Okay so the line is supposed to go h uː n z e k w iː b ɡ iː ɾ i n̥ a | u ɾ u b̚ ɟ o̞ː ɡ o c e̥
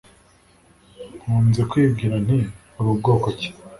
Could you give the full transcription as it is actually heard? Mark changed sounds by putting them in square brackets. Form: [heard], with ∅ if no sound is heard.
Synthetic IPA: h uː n z e k w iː b ɡ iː ɾ [a] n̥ [i] | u ɾ u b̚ [ɡ] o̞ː [k] o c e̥

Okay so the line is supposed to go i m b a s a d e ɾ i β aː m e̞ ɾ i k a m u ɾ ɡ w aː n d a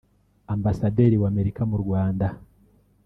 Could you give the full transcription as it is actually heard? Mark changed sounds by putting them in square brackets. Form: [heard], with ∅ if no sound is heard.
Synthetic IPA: [a] m b a s a d e ɾ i [w] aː m e̞ ɾ i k a m u ɾ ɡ w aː n d a

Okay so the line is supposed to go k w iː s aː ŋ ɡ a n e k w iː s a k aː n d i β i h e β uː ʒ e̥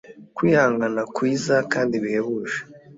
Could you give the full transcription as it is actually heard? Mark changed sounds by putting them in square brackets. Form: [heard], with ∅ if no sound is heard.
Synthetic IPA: k w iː [h] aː ŋ ɡ a n [a] k w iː [z] a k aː n d i β i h e β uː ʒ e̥

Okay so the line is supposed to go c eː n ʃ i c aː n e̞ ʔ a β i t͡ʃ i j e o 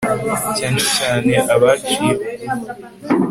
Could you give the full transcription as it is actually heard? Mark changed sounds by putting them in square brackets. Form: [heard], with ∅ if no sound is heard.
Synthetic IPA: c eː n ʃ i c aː n e̞ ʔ a β [a] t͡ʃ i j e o

